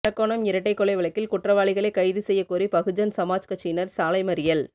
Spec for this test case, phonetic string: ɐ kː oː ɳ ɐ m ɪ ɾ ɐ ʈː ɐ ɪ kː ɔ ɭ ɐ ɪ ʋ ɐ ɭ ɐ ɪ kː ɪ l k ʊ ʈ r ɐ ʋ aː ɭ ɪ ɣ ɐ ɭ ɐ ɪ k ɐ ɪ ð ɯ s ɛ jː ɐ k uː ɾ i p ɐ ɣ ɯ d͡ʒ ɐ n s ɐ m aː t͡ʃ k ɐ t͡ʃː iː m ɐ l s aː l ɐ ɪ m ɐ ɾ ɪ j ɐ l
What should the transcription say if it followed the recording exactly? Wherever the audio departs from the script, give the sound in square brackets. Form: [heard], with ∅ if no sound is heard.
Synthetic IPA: ɐ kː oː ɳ ɐ m ɪ ɾ ɐ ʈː ɐ ɪ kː ɔ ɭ ɐ ɪ ʋ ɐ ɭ ɐ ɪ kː ɪ l k ʊ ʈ r ɐ ʋ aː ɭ ɪ ɣ ɐ ɭ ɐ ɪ k ɐ ɪ ð ɯ s ɛ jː ɐ k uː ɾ i p ɐ ɣ ɯ d͡ʒ ɐ n s ɐ m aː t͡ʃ k ɐ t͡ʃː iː [n] ɐ [ɾ] s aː l ɐ ɪ m ɐ ɾ ɪ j ɐ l